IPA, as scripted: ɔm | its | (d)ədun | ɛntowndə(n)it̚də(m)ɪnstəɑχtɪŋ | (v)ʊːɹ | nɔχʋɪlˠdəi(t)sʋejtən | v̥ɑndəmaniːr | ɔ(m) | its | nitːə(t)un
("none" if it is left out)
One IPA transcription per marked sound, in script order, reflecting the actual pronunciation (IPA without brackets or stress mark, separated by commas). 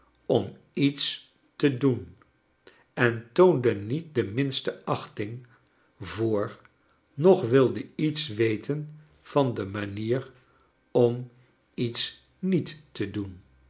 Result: t, n, m, v, t, m, d